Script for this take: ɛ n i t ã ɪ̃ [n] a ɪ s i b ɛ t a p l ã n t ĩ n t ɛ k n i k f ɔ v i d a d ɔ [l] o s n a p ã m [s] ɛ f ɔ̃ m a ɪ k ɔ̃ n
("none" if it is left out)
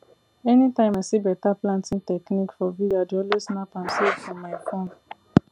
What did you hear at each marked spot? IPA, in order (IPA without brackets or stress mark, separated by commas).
m, l, s